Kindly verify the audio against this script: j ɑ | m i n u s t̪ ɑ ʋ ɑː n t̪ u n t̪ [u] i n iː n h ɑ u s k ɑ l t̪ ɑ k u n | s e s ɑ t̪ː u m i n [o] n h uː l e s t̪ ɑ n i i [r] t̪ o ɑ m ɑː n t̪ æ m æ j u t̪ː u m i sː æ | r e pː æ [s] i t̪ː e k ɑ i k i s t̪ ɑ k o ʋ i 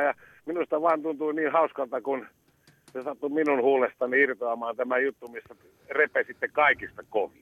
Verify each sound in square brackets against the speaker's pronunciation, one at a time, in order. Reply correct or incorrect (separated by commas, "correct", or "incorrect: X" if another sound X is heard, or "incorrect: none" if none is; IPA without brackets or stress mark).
correct, incorrect: u, correct, correct